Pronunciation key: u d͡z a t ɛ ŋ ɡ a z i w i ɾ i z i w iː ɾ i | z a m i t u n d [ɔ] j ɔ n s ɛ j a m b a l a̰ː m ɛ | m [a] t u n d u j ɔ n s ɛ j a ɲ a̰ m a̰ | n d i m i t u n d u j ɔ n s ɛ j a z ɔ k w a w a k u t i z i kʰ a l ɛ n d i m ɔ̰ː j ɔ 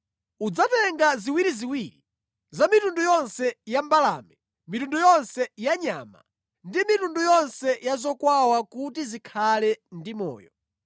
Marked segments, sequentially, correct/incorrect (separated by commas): incorrect, incorrect